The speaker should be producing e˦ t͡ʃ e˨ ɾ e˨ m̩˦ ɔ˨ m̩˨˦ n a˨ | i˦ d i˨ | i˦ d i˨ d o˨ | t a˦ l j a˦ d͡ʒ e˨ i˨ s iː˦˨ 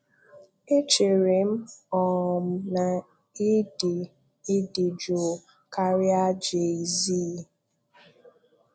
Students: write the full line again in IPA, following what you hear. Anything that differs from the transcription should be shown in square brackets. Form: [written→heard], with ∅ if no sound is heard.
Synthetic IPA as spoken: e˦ t͡ʃ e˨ ɾ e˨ m̩˦ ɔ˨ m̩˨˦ n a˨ | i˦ d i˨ | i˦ d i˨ [d→d͡ʒ] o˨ | [t→k] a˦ [l→ɾ] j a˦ d͡ʒ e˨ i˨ [s→z] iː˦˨